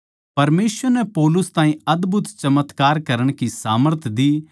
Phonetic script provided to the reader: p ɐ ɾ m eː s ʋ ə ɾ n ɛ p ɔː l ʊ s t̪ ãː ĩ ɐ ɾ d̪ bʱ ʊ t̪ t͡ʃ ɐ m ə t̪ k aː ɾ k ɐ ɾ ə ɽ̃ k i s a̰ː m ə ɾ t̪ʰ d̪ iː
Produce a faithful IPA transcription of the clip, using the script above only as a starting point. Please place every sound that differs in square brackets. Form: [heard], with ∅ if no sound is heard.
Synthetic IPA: p ɐ ɾ m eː s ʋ ə ɾ n ɛ p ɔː l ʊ s t̪ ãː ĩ ɐ [∅] d̪ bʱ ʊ t̪ t͡ʃ ɐ m ə t̪ k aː ɾ k ɐ ɾ ə ɽ̃ k i s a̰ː m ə ɾ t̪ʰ d̪ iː

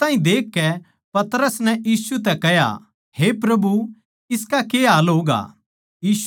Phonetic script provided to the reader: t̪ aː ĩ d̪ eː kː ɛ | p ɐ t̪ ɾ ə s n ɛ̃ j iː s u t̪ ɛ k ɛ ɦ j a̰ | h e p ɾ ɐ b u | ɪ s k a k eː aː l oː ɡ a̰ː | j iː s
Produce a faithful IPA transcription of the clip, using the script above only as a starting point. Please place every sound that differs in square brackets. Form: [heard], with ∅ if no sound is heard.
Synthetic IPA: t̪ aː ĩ d̪ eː kː ɛ | p ɐ t̪ ɾ ə s n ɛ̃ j iː s u t̪ ɛ k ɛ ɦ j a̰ | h e p ɾ ɐ b u | ɪ s k a k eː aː l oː ɡ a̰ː | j iː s

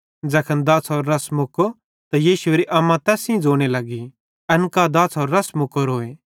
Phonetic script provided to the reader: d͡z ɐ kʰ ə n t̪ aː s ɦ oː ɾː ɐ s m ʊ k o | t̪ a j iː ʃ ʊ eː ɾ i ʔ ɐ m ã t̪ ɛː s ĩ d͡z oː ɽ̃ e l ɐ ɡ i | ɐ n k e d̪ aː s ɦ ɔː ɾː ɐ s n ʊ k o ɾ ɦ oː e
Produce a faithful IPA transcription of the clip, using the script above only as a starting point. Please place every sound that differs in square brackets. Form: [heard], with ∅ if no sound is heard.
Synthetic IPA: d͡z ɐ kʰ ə n [d̪] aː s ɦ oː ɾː ɐ s m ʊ k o | t̪ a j iː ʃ ʊ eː ɾ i ʔ ɐ m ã t̪ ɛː s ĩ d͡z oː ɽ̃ e l ɐ ɡ i | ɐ n k [a] d̪ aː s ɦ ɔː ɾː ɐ s [m] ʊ k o ɾ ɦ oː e

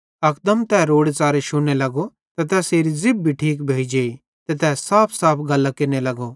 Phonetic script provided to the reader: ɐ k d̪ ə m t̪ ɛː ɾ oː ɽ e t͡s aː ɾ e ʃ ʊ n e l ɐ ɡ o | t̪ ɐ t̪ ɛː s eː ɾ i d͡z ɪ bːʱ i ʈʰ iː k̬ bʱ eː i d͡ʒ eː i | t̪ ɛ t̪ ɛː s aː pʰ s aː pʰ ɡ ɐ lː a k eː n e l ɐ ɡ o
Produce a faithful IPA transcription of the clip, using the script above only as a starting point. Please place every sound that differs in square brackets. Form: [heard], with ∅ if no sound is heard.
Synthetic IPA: ɐ k d̪ ə m t̪ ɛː ɾ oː ɽ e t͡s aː ɾ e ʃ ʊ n e l ɐ ɡ o | t̪ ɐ t̪ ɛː s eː ɾ i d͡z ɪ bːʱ i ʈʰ iː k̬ bʱ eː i d͡ʒ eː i | t̪ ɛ t̪ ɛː s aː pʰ s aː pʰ ɡ ɐ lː a k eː n e l ɐ ɡ o

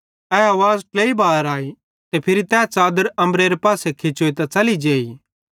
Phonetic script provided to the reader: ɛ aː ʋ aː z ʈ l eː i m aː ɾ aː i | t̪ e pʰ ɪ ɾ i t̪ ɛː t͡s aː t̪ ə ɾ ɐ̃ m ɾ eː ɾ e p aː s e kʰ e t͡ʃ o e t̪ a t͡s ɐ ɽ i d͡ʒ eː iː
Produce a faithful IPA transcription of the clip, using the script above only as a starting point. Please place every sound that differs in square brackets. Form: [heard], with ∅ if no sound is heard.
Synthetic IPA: ɛ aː ʋ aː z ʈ l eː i [b] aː ɾ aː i | t̪ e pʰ ɪ ɾ i t̪ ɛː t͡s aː [d̪] ə ɾ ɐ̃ m ɾ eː ɾ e p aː s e kʰ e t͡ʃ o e t̪ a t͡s ɐ [l] i d͡ʒ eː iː

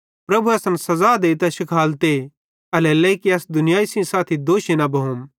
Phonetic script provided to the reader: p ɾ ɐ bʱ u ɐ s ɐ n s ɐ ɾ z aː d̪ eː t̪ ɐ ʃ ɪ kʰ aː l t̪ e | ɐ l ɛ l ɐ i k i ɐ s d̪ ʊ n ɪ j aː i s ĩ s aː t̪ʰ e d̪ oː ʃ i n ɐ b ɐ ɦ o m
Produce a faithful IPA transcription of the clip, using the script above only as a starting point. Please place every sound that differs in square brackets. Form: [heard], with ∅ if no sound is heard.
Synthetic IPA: p ɾ ɐ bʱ u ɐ s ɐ n s ɐ [∅] z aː d̪ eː t̪ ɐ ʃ ɪ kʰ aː l t̪ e | ɐ l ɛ l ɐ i k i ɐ s d̪ ʊ n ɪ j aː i s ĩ s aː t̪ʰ [i] d̪ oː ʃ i n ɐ b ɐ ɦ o m

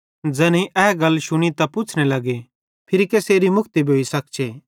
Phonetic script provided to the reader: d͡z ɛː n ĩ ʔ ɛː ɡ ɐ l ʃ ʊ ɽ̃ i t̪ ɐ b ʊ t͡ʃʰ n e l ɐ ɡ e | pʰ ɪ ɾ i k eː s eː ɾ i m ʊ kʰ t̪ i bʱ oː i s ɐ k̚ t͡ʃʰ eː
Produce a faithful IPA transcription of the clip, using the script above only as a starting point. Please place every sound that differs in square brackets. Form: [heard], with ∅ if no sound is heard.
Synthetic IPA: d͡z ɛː n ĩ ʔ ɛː ɡ ɐ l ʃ ʊ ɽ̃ i t̪ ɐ [p] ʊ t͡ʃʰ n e l ɐ ɡ e | pʰ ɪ ɾ i k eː s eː ɾ i m ʊ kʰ t̪ i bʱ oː i s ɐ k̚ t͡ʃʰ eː

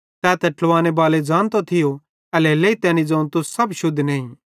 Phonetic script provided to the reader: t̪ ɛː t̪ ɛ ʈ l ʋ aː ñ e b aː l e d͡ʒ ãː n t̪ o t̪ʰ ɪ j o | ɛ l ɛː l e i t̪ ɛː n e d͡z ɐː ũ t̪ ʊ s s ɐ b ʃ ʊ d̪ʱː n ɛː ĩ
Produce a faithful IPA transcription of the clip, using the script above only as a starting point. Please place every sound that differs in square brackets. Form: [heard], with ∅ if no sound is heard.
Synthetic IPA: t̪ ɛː t̪ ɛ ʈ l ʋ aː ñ e b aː l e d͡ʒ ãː n t̪ o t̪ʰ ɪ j o | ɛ l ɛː l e i t̪ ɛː n [i] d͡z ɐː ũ t̪ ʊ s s ɐ b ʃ ʊ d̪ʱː n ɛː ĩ

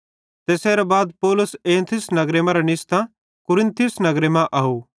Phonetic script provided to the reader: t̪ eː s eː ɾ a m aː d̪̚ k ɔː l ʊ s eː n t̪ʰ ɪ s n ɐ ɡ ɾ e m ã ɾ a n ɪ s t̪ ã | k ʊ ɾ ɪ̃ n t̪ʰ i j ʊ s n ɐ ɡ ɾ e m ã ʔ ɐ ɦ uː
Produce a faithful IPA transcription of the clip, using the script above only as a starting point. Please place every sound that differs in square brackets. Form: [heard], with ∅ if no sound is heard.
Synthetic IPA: t̪ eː s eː ɾ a [b] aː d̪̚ [p] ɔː l ʊ s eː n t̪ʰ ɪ s n ɐ ɡ ɾ e m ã ɾ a n ɪ s t̪ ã | k ʊ ɾ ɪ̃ n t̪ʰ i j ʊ s n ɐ ɡ ɾ e m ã ʔ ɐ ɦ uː

